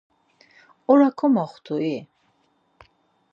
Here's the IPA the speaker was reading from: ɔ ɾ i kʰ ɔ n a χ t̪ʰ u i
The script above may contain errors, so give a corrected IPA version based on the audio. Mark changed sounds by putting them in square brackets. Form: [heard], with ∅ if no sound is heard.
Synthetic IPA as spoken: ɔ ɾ [a] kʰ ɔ [m] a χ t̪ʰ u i